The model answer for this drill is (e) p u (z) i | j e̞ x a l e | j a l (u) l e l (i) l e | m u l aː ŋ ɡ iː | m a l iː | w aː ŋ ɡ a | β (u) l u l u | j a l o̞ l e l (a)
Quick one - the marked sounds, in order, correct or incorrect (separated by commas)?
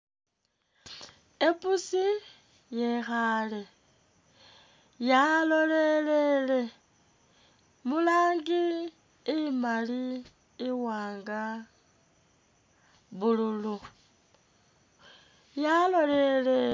correct, incorrect, incorrect, incorrect, correct, incorrect